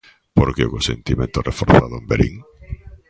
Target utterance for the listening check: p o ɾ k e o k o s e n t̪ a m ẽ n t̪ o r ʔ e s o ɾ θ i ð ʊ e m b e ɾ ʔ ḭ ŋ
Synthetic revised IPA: p o ɾ k e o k o s e n t̪ i m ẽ n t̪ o r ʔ e f o ɾ θ a ð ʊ e m b e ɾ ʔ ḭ ŋ